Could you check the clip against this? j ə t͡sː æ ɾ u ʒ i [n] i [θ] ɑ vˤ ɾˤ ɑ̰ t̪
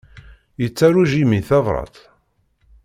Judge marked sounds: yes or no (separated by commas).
no, yes